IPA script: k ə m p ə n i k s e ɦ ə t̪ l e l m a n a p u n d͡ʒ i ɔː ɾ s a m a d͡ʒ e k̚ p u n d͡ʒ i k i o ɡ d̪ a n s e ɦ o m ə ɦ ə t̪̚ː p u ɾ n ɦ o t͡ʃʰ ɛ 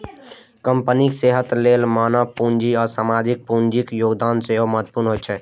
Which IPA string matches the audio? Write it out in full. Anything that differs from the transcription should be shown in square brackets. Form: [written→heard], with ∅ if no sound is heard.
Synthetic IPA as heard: k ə m p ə n i k s e ɦ ə t̪ l e l m a n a p u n d͡ʒ i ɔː ɾ s a m a d͡ʒ [e→i] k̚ p u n d͡ʒ i k [i→j] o ɡ d̪ a n s e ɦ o m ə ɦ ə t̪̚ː p u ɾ n ɦ o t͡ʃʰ ɛ